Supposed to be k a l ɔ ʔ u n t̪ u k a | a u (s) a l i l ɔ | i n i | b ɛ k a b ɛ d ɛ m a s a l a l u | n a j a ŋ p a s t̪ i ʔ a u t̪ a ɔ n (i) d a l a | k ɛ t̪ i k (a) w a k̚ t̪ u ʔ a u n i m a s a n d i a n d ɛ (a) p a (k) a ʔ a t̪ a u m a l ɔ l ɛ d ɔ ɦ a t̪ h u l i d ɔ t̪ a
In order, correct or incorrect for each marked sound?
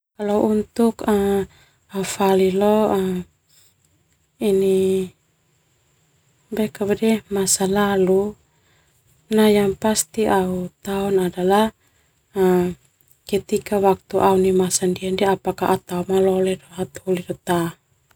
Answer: incorrect: f, incorrect: a, correct, correct, correct

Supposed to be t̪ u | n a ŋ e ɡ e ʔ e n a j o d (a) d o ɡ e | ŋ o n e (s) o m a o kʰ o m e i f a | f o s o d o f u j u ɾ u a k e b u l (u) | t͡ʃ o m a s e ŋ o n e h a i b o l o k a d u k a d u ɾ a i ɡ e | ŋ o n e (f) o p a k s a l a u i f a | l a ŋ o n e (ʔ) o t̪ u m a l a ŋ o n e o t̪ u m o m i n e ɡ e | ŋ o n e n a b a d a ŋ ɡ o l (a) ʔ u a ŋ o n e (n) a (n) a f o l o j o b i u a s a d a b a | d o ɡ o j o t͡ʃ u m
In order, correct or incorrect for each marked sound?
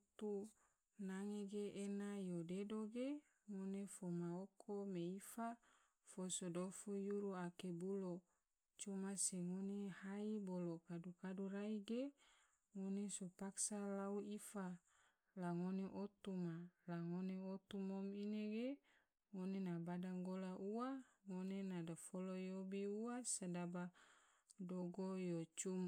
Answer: incorrect: e, incorrect: f, incorrect: o, incorrect: s, correct, correct, correct, incorrect: d

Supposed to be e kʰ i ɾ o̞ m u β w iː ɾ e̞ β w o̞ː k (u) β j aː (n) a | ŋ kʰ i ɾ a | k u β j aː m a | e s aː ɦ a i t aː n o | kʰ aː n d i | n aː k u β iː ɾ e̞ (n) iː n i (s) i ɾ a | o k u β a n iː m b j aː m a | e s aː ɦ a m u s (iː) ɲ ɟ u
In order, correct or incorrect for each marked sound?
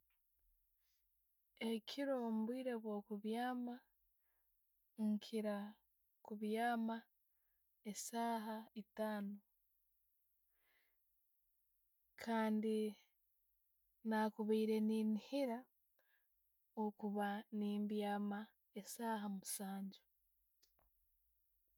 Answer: correct, incorrect: m, correct, incorrect: h, incorrect: aː

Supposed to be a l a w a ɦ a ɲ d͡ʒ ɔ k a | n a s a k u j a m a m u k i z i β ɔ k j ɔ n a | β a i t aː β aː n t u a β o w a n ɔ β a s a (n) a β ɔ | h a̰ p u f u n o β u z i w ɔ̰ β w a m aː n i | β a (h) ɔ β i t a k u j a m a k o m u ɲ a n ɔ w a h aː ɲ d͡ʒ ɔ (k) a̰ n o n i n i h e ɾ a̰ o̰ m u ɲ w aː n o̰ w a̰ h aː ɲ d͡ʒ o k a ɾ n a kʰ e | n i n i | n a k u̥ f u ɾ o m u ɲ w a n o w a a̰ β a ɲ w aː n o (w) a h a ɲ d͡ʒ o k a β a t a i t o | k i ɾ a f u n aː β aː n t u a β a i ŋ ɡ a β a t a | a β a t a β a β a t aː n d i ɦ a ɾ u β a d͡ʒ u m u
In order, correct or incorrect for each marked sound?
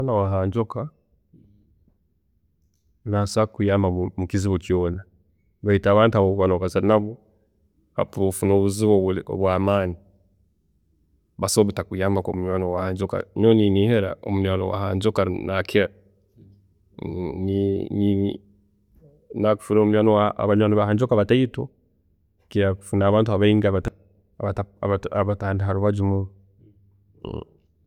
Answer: correct, incorrect: s, correct, incorrect: β

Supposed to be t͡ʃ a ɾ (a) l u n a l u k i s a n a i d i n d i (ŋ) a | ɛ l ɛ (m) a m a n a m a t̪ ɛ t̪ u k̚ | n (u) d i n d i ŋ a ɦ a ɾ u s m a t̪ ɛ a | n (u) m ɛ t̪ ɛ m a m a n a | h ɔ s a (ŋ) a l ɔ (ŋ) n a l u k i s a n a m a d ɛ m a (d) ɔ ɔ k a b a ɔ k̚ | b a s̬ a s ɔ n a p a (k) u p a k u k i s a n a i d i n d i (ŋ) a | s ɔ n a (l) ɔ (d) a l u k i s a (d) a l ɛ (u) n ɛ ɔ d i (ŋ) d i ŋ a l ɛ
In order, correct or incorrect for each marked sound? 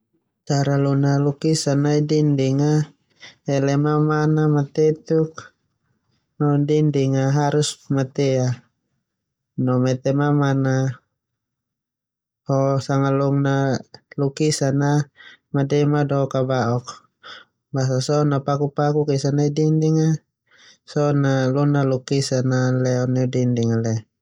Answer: correct, correct, correct, incorrect: ɔ, incorrect: ɔ, correct, correct, correct, correct, correct, correct, incorrect: n, incorrect: n, incorrect: ɔ, incorrect: n

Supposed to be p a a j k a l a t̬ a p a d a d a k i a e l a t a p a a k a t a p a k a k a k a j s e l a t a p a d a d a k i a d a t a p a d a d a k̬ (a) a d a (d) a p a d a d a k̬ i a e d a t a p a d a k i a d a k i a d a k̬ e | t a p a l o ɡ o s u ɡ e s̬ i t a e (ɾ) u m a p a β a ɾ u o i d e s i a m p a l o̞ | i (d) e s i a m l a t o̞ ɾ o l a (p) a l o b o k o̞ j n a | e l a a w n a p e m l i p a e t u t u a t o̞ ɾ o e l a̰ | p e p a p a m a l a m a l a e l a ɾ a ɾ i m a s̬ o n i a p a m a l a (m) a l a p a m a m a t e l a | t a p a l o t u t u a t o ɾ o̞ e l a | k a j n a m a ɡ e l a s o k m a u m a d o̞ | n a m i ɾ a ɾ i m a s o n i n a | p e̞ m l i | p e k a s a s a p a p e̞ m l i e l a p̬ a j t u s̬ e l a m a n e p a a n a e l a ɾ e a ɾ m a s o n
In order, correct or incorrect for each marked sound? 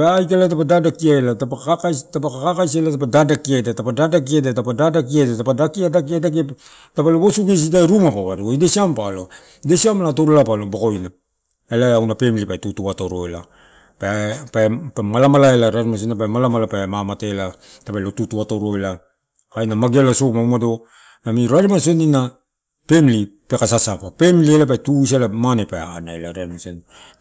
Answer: incorrect: i, incorrect: t, correct, correct, correct, correct

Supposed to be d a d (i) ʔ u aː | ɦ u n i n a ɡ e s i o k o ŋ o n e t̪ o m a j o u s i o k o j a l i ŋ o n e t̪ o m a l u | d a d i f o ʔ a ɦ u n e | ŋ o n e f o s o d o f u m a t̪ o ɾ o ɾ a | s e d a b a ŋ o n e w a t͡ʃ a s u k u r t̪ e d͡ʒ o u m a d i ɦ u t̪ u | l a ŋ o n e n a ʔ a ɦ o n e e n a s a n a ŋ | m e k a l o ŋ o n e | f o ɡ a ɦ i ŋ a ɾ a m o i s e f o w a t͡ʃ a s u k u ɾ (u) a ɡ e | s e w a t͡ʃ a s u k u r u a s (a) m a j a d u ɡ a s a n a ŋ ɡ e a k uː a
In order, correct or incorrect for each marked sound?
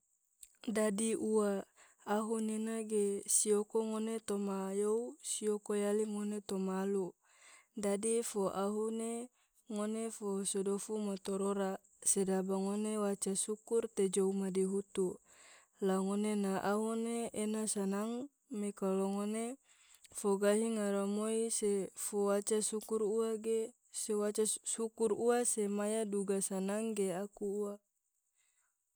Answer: correct, correct, incorrect: e

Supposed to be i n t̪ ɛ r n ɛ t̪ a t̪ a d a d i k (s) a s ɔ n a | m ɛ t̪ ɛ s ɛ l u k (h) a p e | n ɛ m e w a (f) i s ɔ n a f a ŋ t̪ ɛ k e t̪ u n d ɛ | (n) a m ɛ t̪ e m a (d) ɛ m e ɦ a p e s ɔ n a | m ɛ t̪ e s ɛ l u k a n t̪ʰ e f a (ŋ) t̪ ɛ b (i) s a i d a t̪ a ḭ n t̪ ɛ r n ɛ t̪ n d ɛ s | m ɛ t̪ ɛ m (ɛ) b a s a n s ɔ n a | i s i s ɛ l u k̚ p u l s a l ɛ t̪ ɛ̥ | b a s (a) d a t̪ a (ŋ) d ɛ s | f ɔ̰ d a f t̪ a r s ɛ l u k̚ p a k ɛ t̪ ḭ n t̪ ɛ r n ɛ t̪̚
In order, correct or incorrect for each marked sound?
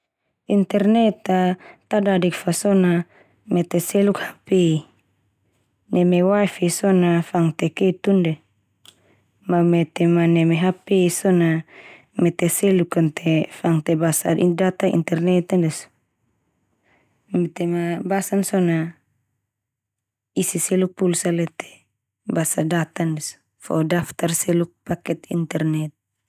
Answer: incorrect: f, correct, correct, incorrect: m, incorrect: n, correct, incorrect: a, incorrect: a, correct, incorrect: n

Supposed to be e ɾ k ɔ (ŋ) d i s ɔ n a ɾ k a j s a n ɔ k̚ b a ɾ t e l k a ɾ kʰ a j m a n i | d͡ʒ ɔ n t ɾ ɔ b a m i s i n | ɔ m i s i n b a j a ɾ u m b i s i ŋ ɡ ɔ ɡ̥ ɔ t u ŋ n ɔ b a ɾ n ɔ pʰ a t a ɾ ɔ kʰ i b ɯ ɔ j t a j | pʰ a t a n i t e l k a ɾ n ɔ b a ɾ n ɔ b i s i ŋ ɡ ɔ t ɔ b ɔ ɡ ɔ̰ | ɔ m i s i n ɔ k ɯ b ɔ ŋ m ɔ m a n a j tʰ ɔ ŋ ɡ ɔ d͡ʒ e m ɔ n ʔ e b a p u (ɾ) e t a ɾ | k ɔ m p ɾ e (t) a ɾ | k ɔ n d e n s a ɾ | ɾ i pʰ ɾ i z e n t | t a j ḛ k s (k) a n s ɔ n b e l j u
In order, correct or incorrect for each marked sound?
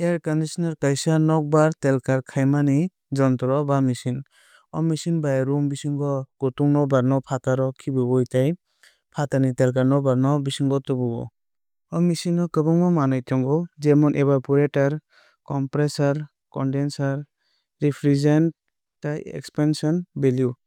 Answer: incorrect: n, correct, incorrect: s, incorrect: p

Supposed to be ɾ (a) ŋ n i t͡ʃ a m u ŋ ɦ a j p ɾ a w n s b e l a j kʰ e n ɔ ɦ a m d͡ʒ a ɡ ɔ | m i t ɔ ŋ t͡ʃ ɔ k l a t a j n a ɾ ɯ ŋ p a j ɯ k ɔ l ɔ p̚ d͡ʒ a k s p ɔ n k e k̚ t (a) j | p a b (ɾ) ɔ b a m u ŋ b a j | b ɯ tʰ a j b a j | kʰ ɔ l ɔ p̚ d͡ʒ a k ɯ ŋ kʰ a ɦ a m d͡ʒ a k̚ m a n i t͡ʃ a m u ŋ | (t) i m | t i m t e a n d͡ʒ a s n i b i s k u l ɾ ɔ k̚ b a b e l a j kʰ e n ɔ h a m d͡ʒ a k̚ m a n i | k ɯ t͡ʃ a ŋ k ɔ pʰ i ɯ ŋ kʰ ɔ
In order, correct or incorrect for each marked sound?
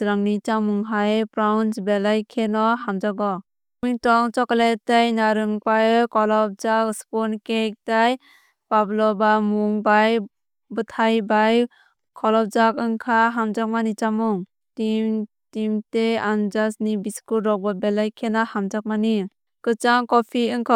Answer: correct, correct, incorrect: l, correct

